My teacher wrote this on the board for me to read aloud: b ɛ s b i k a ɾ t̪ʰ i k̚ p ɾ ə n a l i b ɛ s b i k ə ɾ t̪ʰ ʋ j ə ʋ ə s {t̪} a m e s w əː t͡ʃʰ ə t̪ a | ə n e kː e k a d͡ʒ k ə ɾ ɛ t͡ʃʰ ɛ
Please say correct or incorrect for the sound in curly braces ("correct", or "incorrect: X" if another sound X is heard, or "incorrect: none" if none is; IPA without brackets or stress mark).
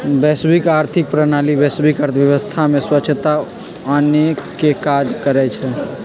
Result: incorrect: t̪ʰ